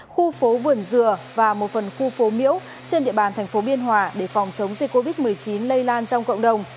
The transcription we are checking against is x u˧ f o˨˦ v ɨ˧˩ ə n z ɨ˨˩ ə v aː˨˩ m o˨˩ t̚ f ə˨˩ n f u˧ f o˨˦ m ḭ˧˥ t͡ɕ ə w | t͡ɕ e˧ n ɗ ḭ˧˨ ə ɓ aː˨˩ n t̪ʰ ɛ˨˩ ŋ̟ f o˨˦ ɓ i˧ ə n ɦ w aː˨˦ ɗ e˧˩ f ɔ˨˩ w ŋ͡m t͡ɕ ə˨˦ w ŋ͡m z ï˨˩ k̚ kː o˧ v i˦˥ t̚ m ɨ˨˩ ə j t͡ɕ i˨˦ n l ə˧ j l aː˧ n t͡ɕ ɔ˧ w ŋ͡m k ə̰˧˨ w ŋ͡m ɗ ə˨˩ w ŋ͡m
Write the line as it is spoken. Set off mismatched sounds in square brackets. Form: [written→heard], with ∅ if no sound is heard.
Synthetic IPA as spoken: x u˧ f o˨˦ v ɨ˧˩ ə n z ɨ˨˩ ə v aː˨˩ m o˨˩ t̚ f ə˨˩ n [f→x] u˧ f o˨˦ m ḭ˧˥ [t͡ɕ→∅] ə w | t͡ɕ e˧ n ɗ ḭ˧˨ ə ɓ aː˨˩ n t̪ʰ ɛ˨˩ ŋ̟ f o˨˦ ɓ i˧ ə n ɦ w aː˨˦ ɗ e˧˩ f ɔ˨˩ w ŋ͡m t͡ɕ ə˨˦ w ŋ͡m z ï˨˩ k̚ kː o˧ v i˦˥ t̚ m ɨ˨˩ ə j t͡ɕ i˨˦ n l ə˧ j l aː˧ n t͡ɕ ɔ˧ w ŋ͡m k ə̰˧˨ w ŋ͡m ɗ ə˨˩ w ŋ͡m